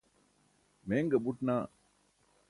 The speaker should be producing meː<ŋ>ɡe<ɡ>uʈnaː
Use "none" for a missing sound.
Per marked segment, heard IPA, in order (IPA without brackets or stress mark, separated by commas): ŋ, b